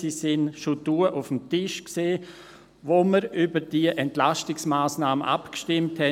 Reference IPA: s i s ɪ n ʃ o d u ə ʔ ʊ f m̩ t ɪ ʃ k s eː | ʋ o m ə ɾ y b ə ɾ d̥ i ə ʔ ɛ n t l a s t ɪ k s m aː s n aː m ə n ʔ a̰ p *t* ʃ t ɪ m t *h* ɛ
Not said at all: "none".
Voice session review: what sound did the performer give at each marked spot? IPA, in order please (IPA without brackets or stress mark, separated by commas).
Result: k, h